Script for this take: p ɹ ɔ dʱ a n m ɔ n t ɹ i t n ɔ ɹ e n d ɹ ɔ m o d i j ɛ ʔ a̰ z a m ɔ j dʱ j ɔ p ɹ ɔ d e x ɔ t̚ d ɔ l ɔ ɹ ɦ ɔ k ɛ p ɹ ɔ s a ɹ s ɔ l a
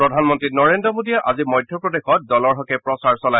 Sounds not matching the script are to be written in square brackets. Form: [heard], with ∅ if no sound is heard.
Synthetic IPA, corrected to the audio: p ɹ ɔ dʱ a n m ɔ n t ɹ i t n ɔ ɹ e n d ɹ ɔ m o d i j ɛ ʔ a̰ z [i] m ɔ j dʱ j ɔ p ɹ ɔ d e x ɔ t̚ d ɔ l ɔ ɹ ɦ ɔ k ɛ p ɹ ɔ s a ɹ s ɔ l a

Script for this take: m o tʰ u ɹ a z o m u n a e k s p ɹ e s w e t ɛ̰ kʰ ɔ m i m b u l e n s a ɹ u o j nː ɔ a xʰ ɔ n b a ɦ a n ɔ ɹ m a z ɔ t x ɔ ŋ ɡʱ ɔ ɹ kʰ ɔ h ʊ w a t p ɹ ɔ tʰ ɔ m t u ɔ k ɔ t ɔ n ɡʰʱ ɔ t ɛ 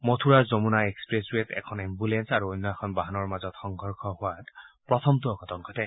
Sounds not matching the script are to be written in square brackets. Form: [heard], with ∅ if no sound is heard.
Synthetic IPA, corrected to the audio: m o tʰ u ɹ a z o m u n a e k s p ɹ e s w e t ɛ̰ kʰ ɔ [n] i m b u l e n s a ɹ u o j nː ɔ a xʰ ɔ n b a ɦ a n ɔ ɹ m a z ɔ t x ɔ ŋ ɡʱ ɔ ɹ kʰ ɔ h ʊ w a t p ɹ ɔ tʰ ɔ m t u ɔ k ɔ t ɔ [ŋ] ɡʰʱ ɔ t ɛ

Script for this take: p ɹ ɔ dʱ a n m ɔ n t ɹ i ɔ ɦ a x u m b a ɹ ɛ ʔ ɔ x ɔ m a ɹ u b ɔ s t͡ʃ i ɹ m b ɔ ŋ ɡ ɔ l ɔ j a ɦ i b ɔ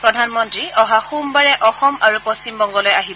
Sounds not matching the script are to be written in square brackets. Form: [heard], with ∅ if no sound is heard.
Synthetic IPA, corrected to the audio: p ɹ ɔ dʱ a n m ɔ n t ɹ i ɔ ɦ a x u m b a ɹ ɛ ʔ ɔ x ɔ m a ɹ u [p] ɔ s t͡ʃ i [∅] m b ɔ ŋ ɡ ɔ l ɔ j a ɦ i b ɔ

